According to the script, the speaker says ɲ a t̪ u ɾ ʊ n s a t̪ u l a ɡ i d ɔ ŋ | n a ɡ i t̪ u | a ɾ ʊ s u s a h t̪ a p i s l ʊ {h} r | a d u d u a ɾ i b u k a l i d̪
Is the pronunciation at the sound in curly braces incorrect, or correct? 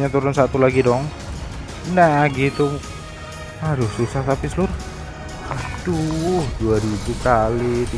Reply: incorrect